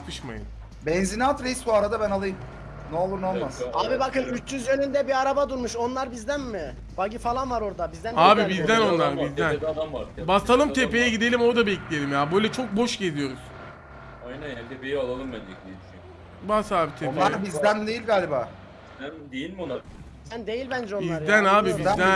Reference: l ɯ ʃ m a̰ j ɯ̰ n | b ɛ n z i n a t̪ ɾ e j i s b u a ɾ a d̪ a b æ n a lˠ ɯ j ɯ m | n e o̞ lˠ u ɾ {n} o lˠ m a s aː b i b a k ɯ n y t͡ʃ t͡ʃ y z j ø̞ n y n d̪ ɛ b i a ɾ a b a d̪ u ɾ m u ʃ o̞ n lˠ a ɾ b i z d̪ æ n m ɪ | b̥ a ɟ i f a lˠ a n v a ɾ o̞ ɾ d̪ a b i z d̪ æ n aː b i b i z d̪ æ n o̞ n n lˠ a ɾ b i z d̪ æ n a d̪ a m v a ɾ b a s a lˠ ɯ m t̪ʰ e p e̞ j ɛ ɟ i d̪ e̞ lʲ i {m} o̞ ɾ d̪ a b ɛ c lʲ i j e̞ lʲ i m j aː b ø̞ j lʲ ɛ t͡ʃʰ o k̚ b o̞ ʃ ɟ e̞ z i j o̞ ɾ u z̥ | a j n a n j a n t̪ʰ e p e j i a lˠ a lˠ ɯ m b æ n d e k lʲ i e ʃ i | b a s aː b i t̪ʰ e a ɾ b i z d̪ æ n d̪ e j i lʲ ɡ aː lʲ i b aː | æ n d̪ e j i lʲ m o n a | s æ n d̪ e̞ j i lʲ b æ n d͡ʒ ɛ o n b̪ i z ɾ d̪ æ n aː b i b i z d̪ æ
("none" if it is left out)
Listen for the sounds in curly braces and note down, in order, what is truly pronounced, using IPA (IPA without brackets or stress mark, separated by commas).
n, m